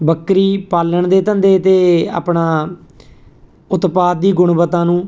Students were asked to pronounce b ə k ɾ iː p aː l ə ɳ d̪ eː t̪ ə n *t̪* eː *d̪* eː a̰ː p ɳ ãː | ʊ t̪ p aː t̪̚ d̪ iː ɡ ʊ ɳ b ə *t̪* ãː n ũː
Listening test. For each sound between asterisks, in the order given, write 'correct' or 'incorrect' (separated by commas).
incorrect, incorrect, correct